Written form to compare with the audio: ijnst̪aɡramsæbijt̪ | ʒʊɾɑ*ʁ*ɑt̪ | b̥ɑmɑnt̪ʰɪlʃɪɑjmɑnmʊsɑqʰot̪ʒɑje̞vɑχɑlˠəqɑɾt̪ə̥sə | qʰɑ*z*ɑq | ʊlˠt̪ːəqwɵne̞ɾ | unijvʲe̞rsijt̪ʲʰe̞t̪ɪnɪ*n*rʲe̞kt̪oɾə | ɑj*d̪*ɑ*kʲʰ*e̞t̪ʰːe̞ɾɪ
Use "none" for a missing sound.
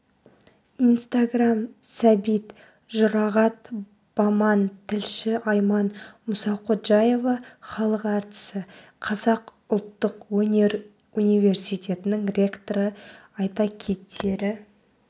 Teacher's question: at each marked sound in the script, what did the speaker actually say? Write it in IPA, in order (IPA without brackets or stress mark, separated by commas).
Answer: ʁ, z, ŋ, t̪, kʲʰ